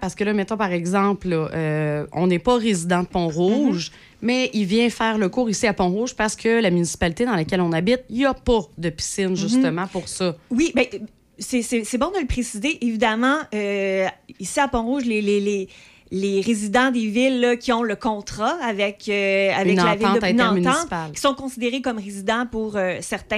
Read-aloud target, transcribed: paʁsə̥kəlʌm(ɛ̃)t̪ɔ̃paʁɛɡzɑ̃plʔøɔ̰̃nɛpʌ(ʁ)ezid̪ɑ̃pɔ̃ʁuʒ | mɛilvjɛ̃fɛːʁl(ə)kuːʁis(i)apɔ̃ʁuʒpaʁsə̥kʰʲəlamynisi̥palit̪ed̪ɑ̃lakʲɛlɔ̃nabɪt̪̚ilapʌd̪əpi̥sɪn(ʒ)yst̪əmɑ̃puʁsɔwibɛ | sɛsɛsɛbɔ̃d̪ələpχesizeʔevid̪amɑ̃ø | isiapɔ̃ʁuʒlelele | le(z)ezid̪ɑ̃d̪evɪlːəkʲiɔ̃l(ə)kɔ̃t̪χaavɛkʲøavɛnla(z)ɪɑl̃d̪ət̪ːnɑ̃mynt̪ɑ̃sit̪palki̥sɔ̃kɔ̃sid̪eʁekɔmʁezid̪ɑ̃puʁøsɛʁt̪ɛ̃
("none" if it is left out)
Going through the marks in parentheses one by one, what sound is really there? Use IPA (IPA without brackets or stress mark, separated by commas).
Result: ɛ, ʁ, ə, i, ʒ, ʁ, ə, v